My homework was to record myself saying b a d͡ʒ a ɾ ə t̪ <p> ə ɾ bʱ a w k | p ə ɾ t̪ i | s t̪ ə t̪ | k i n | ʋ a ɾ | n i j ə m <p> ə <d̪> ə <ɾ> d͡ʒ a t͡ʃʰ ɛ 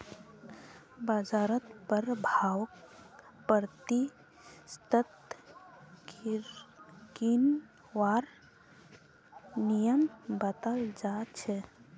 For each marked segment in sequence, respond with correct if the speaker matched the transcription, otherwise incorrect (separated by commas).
correct, incorrect, incorrect, incorrect